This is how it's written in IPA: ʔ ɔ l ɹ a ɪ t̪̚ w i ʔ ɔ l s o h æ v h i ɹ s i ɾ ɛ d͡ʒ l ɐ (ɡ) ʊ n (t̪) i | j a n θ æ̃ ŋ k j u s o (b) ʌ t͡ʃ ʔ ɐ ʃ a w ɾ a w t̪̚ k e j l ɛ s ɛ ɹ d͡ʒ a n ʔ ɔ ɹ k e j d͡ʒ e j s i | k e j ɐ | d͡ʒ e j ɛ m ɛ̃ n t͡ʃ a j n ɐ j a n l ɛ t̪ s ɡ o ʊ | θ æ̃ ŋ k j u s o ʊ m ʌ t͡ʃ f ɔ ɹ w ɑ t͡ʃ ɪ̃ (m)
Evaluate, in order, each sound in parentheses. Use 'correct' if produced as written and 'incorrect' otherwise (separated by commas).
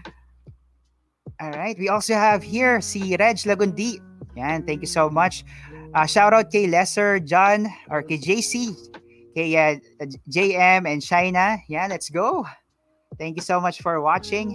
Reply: correct, incorrect, incorrect, incorrect